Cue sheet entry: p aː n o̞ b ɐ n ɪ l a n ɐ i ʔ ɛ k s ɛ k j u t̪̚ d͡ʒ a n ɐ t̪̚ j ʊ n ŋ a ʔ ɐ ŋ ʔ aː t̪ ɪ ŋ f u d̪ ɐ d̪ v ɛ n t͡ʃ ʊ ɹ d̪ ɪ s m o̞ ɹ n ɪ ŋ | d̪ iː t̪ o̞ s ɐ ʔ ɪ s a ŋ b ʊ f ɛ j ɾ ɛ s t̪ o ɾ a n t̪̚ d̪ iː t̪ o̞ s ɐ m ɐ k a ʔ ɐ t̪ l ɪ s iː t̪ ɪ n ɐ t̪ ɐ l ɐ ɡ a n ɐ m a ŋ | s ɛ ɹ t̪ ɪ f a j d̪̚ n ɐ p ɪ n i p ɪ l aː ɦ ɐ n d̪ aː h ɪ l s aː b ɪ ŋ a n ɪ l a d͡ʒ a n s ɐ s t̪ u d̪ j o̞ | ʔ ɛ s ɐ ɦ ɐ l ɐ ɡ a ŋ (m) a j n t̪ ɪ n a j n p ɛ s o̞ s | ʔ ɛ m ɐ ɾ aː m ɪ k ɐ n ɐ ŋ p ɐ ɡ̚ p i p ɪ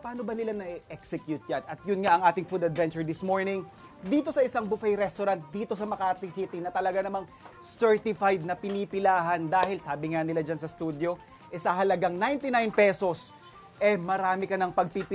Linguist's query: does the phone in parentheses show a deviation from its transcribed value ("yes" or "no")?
yes